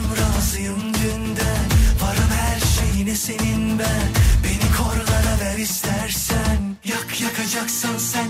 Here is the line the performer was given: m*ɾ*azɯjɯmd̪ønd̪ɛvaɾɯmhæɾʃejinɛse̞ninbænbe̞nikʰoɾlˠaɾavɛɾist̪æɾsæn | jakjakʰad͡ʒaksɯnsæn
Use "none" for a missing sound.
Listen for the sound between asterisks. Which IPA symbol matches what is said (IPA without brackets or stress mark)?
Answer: ɾ